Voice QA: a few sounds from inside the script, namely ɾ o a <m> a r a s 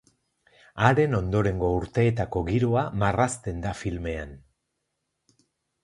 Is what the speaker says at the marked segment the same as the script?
yes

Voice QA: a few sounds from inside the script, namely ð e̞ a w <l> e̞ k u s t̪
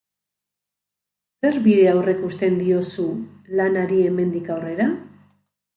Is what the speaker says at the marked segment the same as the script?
no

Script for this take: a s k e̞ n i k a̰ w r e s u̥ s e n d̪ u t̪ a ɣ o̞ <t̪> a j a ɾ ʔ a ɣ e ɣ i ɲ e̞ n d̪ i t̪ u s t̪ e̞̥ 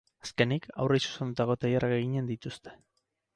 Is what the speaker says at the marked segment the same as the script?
yes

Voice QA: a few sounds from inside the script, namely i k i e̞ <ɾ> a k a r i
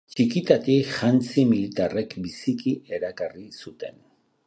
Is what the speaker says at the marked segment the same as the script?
yes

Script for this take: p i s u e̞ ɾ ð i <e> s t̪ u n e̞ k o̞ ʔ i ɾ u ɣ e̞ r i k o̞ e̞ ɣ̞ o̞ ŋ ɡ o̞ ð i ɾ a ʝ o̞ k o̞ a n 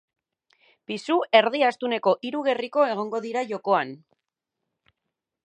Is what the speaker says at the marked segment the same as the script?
no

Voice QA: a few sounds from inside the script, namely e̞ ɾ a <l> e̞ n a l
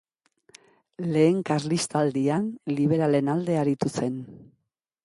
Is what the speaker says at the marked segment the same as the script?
yes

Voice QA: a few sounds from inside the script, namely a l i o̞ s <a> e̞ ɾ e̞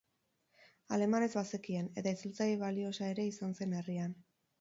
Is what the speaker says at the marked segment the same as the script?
yes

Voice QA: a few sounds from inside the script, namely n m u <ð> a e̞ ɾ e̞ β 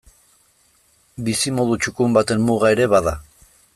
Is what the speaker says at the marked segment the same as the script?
no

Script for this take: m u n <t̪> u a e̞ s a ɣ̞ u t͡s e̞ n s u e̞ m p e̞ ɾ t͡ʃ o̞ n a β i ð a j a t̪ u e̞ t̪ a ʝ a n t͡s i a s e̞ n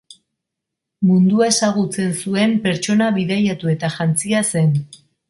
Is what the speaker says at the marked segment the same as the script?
no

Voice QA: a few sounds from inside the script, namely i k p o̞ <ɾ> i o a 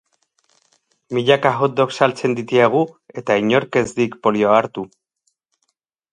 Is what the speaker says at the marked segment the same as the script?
no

